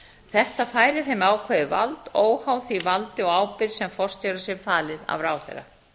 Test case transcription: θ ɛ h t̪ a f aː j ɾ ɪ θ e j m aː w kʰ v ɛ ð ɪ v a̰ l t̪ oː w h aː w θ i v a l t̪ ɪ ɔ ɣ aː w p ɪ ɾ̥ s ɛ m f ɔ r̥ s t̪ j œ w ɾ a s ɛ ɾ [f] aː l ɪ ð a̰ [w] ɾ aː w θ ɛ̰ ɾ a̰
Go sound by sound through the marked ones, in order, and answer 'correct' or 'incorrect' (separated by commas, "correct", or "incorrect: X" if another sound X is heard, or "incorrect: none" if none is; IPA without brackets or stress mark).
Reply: correct, incorrect: v